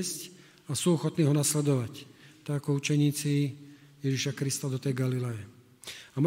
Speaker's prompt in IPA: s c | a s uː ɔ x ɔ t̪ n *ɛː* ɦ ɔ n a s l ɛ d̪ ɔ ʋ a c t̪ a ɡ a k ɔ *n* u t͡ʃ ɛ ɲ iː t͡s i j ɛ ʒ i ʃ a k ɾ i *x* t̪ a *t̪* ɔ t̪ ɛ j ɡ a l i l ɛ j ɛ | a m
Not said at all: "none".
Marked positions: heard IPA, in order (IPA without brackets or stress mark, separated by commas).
iː, none, s, d̪